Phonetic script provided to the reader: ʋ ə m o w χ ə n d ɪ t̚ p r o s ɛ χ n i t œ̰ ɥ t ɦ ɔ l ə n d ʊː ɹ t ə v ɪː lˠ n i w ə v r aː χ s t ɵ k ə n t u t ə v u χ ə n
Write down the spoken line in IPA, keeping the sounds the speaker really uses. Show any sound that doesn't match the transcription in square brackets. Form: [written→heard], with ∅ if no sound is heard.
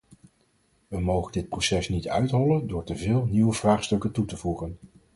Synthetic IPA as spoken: ʋ ə m o w χ ə n d ɪ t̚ p r o s ɛ [χ→s] n i t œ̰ ɥ t ɦ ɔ l ə n d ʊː ɹ t ə v ɪː lˠ n i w ə v r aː χ s t ɵ k ə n t u t ə v u χ ə n

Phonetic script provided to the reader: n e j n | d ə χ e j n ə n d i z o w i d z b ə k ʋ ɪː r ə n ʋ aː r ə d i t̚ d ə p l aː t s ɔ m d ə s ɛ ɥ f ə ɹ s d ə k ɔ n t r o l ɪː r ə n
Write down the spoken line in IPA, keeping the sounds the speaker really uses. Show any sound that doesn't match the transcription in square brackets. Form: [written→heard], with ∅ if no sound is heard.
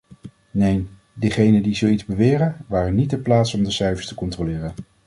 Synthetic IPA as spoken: n e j n | d ə χ e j n ə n d i z o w i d z b ə [k→∅] ʋ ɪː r ə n ʋ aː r ə [d→n] i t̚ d ə p l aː t s ɔ m d ə s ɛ ɥ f ə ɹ s [d→t] ə k ɔ n t r o l ɪː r ə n

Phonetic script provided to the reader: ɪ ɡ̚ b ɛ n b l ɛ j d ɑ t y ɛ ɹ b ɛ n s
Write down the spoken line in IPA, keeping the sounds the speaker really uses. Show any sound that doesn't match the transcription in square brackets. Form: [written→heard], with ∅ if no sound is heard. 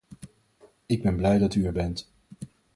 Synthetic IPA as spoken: ɪ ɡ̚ b ɛ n b l ɛ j d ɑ t y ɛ ɹ b ɛ n [s→t]

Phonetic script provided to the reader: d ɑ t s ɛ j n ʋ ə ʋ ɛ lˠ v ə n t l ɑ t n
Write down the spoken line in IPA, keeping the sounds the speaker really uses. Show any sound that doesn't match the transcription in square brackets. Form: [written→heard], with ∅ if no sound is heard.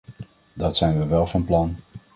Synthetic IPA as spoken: d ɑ t s ɛ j n ʋ ə ʋ ɛ lˠ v [ə→ɑ] n [t→p] l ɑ [t→∅] n

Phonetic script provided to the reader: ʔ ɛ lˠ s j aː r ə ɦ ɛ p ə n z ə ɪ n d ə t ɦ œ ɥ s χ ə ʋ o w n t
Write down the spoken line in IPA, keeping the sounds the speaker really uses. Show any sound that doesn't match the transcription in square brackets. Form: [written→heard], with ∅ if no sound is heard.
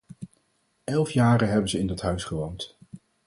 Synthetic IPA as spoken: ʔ ɛ lˠ [s→f] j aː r ə ɦ ɛ [p→b] ə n z ə ɪ n d [ə→ɑ] t ɦ œ ɥ s χ ə ʋ o w n t

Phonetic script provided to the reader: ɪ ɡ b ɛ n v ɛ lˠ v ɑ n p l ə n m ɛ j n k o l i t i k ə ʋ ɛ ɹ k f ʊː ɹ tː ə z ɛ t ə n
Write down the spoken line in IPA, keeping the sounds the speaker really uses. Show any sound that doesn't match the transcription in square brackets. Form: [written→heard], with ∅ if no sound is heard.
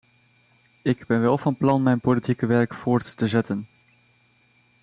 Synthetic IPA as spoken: ɪ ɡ b ɛ n [v→ʋ] ɛ lˠ v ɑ n p l [ə→ɑ] n m ɛ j n [k→p] o l i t i k ə ʋ ɛ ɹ k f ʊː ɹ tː ə z ɛ t ə n

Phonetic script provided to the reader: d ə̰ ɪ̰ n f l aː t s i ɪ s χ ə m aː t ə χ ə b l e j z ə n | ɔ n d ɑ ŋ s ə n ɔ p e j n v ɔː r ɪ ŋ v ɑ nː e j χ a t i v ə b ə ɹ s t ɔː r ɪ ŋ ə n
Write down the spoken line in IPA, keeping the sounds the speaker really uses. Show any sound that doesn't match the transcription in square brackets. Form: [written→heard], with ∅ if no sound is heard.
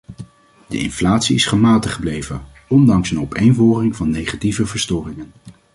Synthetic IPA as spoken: d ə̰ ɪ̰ n f l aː t s i ɪ s χ ə m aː t ə χ ə b l e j [z→v] ə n | ɔ n d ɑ ŋ s ə n ɔ p e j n v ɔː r ɪ ŋ v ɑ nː e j χ a t i v ə [b→v] ə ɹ s t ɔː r ɪ ŋ ə n

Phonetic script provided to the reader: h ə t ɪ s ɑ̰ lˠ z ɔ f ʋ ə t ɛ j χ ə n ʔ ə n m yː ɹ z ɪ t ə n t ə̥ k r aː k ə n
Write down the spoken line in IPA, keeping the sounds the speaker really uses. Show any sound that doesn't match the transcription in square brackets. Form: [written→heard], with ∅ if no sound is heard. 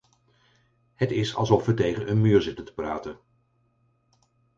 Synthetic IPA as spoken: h ə t ɪ s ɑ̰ lˠ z ɔ f ʋ ə t [ɛ→e] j χ ə n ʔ ə n m yː ɹ z ɪ t ə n t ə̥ [k→p] r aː [k→t] ə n

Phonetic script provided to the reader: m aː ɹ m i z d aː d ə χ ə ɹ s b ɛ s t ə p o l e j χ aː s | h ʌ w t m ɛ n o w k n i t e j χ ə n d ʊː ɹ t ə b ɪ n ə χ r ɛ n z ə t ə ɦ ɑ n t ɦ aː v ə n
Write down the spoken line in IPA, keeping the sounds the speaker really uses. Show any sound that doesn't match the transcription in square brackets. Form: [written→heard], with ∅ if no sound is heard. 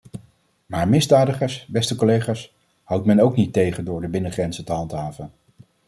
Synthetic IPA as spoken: m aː ɹ m [i→ɪ] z d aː d ə χ ə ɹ s b ɛ s t ə [p→k] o l e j χ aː s | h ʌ w t m ɛ n o w k n i t e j χ ə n d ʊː ɹ [t→d] ə b ɪ n ə χ r ɛ n z ə t ə ɦ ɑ n t ɦ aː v ə n

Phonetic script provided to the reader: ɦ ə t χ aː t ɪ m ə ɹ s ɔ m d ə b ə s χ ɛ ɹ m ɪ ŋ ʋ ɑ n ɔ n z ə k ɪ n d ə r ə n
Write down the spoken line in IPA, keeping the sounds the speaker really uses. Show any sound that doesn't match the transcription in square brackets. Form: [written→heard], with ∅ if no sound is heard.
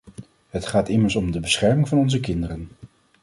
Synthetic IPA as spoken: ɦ ə t χ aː t ɪ m ə ɹ s ɔ m d ə b ə s χ ɛ ɹ m ɪ ŋ [ʋ→v] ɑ n ɔ n z ə k ɪ n d ə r ə n

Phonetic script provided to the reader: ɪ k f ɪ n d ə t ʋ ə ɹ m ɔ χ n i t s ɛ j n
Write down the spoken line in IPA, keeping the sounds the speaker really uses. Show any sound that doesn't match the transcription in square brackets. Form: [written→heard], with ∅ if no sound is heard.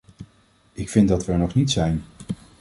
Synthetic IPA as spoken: ɪ k f ɪ n d [ə→ɑ] t ʋ ə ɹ [m→n] ɔ χ n i t s ɛ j n

